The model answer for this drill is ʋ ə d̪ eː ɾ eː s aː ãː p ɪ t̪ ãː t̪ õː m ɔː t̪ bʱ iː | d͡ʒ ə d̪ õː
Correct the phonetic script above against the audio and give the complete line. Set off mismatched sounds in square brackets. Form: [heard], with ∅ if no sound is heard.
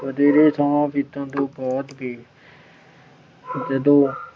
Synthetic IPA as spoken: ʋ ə d̪ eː ɾ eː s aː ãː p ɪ t̪ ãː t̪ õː [b] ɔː t̪ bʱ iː | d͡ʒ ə d̪ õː